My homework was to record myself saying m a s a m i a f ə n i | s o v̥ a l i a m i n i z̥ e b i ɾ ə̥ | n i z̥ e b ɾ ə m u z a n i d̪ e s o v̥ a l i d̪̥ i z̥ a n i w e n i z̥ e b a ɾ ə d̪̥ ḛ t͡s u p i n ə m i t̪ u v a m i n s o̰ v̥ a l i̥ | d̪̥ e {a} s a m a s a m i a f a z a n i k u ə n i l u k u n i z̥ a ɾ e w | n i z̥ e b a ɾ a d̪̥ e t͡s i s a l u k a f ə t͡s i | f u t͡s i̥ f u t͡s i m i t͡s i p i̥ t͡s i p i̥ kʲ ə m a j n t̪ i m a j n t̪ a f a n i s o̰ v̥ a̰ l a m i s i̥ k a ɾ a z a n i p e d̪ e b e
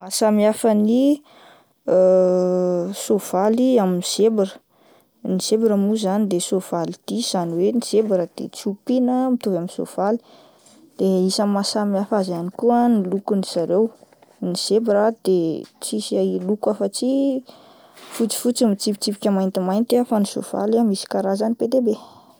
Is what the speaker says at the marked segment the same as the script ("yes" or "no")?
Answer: no